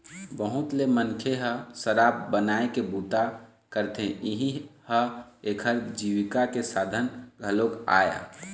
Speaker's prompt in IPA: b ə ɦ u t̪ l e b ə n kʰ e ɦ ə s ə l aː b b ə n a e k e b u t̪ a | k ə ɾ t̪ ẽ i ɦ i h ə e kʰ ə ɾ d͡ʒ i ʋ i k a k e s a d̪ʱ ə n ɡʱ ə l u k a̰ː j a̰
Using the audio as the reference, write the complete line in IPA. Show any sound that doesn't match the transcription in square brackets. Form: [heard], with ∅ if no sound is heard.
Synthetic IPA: b ə ɦ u t̪ l e [m] ə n kʰ e ɦ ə s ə [ɾ] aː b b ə n a e k e b u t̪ a | k ə ɾ t̪ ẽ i ɦ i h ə e kʰ ə ɾ d͡ʒ i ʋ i k a k e s a d̪ʱ ə n ɡʱ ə l [o] k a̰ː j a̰